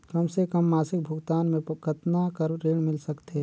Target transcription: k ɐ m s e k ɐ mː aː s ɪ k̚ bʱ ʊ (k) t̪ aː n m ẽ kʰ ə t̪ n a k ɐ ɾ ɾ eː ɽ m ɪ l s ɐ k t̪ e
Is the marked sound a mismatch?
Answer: yes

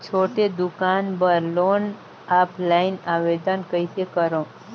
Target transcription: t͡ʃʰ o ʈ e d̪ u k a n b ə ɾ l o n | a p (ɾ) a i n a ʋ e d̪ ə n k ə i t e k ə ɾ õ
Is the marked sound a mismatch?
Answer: yes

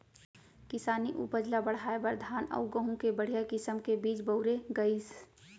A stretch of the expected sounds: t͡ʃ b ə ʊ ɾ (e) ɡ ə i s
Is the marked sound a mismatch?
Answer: no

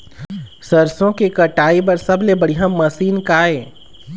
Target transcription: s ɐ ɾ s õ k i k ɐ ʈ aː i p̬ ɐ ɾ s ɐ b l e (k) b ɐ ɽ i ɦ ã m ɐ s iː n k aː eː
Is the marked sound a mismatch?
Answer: yes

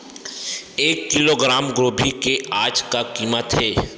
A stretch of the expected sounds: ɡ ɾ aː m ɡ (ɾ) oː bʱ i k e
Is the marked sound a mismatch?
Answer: no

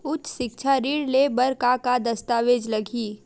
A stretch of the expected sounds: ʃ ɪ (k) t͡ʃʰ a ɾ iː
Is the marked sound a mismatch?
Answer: no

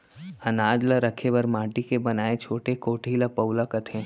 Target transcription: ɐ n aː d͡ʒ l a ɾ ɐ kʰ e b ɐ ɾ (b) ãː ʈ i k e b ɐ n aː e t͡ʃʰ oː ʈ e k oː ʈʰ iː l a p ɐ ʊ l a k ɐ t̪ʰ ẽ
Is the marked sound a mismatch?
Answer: yes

